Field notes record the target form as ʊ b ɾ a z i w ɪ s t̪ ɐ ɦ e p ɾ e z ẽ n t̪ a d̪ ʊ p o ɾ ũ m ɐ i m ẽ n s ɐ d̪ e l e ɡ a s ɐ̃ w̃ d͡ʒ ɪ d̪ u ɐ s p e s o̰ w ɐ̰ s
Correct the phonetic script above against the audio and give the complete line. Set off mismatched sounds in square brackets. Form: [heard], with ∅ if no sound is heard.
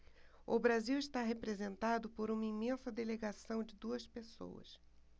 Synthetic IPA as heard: ʊ b ɾ a z i w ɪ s t̪ [a] ɦ e p ɾ e z ẽ n t̪ a d̪ ʊ p o ɾ ũ m ɐ i m ẽ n s ɐ d̪ e l e ɡ a s ɐ̃ w̃ d͡ʒ ɪ d̪ u ɐ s p e s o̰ w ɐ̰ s